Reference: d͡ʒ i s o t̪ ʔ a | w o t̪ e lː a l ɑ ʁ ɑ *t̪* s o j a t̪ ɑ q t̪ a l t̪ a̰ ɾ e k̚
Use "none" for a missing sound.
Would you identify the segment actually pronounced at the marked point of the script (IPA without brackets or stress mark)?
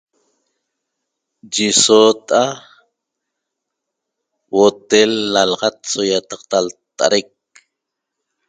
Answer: t̪